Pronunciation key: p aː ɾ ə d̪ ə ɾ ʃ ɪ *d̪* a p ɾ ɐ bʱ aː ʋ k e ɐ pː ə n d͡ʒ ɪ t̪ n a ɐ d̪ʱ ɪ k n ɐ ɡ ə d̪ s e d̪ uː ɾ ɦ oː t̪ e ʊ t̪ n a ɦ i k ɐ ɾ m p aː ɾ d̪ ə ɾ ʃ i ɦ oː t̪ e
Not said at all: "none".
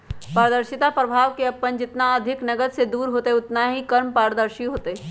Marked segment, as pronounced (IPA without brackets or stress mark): t̪